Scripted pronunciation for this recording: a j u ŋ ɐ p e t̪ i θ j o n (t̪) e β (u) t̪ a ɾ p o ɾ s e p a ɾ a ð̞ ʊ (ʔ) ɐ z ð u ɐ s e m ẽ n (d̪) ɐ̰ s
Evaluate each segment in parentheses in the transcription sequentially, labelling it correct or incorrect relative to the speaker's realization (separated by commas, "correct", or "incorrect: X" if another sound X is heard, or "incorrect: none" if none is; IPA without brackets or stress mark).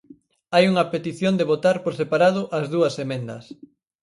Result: incorrect: d̪, incorrect: o, correct, correct